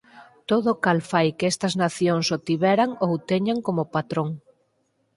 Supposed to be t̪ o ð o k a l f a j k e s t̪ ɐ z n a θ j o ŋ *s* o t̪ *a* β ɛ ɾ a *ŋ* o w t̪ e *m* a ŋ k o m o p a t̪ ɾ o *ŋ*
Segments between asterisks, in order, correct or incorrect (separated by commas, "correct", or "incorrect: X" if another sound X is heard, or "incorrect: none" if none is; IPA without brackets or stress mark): correct, incorrect: i, correct, incorrect: ɲ, correct